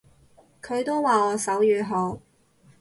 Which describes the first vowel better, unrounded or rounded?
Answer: rounded